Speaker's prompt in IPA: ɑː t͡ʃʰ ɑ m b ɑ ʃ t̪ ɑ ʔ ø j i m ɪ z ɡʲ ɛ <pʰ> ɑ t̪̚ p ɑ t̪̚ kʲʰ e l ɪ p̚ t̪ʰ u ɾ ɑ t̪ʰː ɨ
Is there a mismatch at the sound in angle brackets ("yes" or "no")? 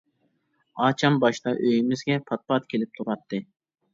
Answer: no